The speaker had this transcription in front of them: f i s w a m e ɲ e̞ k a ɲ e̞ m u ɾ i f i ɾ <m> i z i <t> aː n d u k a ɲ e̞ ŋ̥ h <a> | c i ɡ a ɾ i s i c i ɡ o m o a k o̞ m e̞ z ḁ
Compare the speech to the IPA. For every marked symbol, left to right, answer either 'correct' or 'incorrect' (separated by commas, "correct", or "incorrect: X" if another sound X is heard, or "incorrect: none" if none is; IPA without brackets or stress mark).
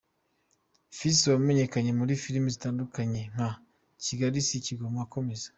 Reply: correct, correct, correct